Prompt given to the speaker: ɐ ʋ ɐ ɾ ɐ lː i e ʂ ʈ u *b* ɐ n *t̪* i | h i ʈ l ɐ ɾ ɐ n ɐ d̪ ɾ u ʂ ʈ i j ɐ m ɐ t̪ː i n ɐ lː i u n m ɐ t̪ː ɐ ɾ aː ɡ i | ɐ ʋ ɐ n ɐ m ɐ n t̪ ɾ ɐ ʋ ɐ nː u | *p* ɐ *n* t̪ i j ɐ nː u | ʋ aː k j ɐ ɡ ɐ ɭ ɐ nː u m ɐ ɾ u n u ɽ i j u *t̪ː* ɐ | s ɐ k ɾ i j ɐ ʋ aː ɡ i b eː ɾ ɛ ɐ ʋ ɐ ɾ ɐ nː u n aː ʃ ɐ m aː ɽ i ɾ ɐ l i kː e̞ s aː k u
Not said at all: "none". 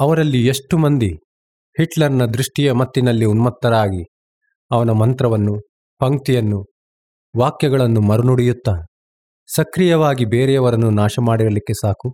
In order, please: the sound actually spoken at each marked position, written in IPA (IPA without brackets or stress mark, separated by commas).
m, d̪, p, ŋ, t̪ː